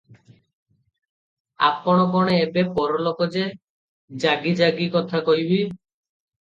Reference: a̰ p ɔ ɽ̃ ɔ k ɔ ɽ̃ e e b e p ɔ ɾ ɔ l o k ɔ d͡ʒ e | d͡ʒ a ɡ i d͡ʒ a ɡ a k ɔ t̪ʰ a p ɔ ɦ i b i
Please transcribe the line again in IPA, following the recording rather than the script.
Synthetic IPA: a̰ p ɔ ɽ̃ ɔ k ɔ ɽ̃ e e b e p ɔ ɾ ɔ l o k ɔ d͡ʒ e | d͡ʒ a ɡ i d͡ʒ a ɡ i k ɔ t̪ʰ a k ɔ ɦ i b i